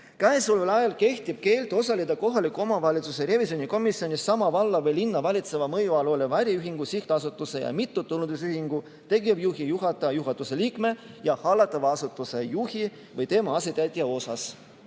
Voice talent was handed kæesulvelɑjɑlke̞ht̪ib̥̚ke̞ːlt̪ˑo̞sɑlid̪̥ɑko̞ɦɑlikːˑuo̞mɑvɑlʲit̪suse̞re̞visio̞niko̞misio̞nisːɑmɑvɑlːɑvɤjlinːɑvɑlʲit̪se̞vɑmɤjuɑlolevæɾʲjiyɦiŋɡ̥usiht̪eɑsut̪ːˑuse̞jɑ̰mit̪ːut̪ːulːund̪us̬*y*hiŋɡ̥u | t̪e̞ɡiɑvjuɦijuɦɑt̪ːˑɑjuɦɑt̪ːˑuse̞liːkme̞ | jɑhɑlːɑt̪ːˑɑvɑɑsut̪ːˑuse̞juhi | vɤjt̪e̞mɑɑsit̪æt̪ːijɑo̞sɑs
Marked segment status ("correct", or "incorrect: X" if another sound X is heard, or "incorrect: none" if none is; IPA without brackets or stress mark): correct